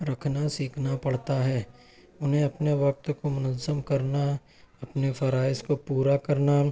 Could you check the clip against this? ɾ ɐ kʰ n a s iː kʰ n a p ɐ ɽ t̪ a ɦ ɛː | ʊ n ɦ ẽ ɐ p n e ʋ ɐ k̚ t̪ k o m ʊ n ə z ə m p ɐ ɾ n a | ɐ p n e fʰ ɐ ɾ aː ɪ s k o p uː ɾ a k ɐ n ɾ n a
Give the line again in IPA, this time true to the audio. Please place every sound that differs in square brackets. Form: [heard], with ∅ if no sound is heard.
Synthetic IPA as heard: ɾ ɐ kʰ n a s iː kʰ n a p ɐ ɽ t̪ a ɦ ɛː | ʊ n ɦ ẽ ɐ p n e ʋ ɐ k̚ t̪ k o m ʊ n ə z ə m [k] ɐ ɾ n a | ɐ p n e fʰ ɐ ɾ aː ɪ s k o p uː ɾ a k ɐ [∅] ɾ n a